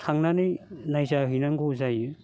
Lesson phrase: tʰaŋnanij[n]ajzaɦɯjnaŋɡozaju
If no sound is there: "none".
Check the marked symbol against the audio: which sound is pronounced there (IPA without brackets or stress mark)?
n